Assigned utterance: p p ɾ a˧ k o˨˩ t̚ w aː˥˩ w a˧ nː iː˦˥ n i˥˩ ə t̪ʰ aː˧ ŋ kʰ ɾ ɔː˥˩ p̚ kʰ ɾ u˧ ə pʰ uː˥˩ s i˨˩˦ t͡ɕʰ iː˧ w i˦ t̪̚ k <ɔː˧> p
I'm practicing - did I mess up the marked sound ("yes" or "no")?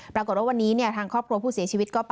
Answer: yes